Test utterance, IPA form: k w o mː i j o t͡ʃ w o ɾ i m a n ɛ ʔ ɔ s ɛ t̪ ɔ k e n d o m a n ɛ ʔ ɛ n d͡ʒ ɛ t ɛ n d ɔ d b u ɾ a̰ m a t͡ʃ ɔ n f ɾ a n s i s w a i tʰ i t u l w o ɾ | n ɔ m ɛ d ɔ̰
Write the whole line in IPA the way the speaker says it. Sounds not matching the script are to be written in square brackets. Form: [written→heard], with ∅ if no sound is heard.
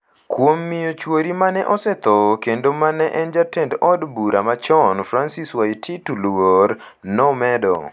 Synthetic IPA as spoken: k w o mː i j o t͡ʃ w o ɾ i m a n ɛ ʔ ɔ s ɛ t̪ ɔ k e n d o m a n ɛ ʔ ɛ n d͡ʒ [ɛ→a] t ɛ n d ɔ d b u ɾ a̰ m a t͡ʃ ɔ n f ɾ a n s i s w a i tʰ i t u l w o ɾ | n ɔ m ɛ d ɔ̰